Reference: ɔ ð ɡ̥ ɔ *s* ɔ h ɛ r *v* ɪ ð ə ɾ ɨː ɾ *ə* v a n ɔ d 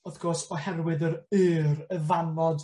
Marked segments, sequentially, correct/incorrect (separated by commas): correct, incorrect, correct